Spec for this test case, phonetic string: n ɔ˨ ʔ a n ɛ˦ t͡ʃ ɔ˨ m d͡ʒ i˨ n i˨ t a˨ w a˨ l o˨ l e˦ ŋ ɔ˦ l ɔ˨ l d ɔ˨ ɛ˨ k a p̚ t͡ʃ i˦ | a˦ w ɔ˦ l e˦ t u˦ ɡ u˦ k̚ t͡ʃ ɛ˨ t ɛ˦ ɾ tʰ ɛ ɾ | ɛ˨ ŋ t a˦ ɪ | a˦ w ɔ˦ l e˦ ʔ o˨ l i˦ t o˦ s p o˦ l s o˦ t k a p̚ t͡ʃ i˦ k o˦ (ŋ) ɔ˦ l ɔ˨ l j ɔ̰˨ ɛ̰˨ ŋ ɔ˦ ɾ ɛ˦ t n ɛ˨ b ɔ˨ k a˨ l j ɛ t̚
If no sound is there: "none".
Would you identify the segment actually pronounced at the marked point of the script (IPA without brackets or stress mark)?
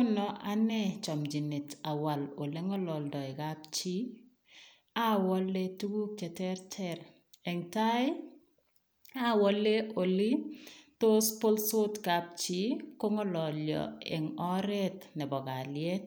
ŋ